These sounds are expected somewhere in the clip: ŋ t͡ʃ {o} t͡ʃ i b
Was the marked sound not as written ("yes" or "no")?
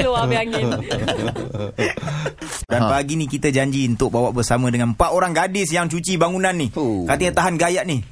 yes